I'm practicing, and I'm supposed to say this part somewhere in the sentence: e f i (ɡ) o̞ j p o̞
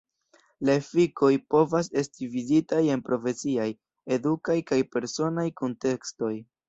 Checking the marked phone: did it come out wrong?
yes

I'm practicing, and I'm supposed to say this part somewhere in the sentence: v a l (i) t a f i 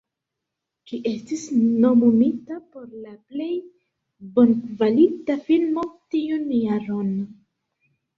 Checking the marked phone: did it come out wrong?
no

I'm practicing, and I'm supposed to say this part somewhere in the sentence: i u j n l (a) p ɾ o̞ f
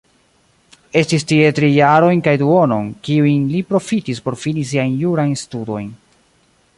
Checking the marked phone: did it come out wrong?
yes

